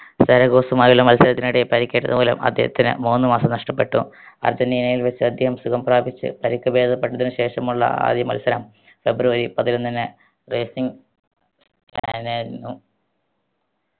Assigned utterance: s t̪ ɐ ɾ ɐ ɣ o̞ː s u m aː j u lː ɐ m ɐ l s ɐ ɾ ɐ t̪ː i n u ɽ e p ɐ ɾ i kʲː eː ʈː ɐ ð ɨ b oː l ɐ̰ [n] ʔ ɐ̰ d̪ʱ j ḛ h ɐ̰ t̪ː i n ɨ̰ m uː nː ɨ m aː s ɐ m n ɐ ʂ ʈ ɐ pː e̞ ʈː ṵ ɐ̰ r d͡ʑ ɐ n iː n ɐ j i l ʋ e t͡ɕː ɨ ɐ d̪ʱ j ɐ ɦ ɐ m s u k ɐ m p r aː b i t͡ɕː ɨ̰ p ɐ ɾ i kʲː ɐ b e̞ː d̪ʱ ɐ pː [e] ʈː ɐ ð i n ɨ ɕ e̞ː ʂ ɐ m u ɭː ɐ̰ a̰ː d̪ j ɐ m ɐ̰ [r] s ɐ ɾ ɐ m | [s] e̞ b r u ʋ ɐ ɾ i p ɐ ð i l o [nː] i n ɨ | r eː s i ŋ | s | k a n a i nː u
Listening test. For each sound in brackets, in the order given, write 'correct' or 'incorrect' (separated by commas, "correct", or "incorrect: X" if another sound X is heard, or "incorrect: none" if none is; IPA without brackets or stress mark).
incorrect: m, correct, incorrect: l, incorrect: f, correct